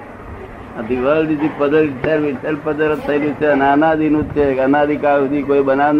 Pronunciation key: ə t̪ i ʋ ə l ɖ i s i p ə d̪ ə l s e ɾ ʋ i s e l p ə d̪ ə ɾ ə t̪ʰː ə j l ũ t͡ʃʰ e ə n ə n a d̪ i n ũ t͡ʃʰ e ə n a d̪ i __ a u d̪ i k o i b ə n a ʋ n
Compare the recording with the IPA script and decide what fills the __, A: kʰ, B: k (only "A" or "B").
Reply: B